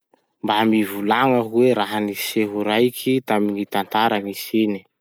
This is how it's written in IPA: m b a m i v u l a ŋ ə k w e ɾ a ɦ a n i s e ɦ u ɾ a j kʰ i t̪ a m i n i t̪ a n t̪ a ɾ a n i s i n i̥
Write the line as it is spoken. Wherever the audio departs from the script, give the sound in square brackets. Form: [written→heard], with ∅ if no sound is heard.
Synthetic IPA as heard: m b a m i v u l a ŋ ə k w e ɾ a ɦ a n i s e ɦ u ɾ a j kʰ i t̪ a m i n i t̪ a n t̪ a ɾ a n i s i n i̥